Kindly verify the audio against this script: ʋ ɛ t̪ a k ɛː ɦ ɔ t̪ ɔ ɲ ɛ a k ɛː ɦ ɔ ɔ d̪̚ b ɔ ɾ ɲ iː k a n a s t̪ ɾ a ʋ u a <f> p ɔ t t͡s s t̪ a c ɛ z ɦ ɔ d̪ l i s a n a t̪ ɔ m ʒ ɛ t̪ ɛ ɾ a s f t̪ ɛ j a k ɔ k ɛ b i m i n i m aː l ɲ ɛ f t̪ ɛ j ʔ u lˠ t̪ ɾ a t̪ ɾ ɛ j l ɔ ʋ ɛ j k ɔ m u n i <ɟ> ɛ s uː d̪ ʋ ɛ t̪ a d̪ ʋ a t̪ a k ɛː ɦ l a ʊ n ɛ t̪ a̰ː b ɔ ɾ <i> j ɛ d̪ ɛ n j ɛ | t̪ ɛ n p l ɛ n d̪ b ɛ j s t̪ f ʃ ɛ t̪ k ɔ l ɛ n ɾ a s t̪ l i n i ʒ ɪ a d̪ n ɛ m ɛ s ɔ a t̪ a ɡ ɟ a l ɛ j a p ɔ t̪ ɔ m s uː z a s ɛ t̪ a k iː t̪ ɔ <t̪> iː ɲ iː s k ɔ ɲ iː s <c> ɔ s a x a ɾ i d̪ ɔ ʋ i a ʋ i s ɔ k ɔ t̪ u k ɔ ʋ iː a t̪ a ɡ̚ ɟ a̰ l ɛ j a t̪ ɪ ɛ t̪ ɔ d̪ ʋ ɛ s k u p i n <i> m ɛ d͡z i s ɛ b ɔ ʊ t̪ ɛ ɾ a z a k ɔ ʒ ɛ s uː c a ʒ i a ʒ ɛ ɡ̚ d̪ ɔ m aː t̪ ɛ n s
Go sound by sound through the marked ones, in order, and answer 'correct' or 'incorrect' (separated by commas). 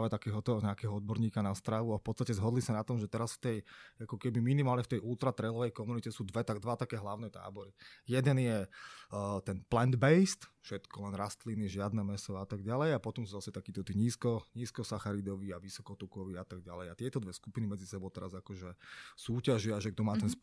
correct, incorrect, correct, correct, incorrect, correct